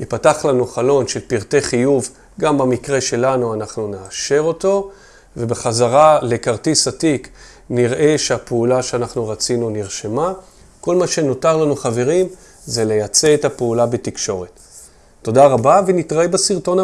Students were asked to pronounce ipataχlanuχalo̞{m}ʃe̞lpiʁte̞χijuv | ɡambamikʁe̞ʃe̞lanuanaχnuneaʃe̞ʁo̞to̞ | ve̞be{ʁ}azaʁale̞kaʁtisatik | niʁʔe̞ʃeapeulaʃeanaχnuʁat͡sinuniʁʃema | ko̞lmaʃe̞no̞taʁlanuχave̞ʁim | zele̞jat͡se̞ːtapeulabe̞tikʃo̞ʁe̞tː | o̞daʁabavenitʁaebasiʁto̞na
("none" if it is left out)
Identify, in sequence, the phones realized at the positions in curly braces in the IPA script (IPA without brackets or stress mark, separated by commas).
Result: n, χ